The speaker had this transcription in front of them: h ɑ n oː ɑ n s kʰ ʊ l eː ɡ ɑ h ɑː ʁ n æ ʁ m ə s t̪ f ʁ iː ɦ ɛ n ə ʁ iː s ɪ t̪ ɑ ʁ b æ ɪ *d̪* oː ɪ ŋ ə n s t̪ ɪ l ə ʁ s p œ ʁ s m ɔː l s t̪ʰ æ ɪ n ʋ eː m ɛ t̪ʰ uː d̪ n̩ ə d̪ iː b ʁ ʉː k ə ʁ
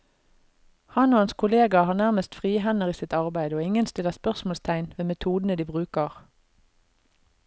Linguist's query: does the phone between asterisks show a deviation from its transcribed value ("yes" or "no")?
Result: no